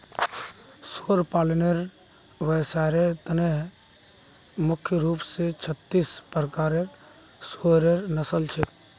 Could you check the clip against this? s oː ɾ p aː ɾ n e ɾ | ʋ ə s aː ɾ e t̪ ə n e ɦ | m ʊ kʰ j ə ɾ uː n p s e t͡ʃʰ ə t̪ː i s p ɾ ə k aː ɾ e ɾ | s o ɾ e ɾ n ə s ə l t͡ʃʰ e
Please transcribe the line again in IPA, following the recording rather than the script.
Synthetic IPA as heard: s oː ɾ p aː l n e ɾ | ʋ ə s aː ɾ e t̪ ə n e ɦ | m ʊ kʰ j ə ɾ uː p s e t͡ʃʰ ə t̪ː i s p ɾ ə k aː ɾ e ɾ | s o ɾ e ɾ n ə s ə l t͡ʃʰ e